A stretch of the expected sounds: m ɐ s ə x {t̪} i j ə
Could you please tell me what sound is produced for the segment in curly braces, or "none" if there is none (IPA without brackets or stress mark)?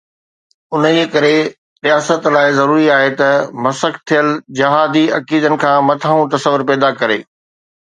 t̪ʰ